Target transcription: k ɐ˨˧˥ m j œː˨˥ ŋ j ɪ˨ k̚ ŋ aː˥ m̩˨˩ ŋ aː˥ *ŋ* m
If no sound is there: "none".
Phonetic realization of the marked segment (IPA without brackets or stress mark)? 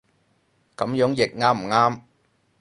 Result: none